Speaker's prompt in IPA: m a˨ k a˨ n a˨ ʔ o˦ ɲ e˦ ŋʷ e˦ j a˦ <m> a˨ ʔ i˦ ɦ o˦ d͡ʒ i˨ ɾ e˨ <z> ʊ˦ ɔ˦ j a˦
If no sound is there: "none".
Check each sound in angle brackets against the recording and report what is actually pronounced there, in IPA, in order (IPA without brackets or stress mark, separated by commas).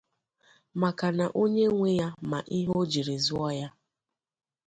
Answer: m, z